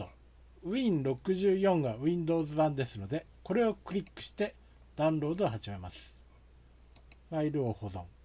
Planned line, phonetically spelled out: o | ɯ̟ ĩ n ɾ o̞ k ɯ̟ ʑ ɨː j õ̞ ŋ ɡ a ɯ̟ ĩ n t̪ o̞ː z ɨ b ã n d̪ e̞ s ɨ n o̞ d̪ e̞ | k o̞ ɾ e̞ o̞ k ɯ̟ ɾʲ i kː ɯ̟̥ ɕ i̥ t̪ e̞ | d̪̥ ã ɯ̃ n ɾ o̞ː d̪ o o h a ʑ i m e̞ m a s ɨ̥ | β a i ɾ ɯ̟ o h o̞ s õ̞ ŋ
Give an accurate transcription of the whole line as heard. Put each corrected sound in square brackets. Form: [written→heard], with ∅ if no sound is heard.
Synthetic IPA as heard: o | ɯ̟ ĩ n ɾ o̞ k ɯ̟ ʑ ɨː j õ̞ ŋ ɡ a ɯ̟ ĩ n [t̪→d̪] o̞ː z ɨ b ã n d̪ e̞ s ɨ n o̞ d̪ e̞ | k o̞ ɾ e̞ o̞ k ɯ̟ ɾʲ i kː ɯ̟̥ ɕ i̥ t̪ e̞ | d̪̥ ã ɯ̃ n ɾ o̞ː d̪ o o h a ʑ i m e̞ m a s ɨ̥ | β a i ɾ ɯ̟ o h o̞ [s→z] õ̞ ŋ

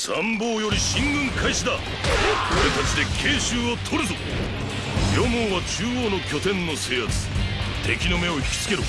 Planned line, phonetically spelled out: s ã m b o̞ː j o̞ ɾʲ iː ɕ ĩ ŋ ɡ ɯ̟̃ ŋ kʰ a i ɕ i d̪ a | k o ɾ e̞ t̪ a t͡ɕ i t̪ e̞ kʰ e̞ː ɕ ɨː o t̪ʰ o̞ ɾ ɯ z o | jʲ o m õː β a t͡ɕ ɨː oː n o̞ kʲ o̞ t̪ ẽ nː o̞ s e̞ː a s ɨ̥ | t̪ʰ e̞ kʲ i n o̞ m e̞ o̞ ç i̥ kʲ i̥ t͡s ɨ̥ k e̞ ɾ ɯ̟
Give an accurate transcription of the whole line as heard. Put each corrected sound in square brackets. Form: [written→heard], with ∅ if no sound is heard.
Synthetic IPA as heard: s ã m b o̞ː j o̞ ɾʲ [iː→i] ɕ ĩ ŋ ɡ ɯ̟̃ ŋ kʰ a i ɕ i d̪ a | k o ɾ e̞ t̪ a t͡ɕ i [t̪→d̪] e̞ kʰ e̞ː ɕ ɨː o t̪ʰ o̞ ɾ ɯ z o | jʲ o m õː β a t͡ɕ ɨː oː n o̞ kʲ o̞ t̪ ẽ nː o̞ s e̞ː a [s→t͡s] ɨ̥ | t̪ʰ e̞ kʲ i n o̞ m e̞ o̞ ç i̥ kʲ i̥ t͡s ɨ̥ k e̞ ɾ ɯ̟

